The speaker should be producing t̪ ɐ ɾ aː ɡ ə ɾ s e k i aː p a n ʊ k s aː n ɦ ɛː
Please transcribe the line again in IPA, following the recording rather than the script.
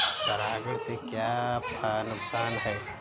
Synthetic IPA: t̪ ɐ ɾ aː ɡ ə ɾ s e k j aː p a n ʊ k s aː n ɦ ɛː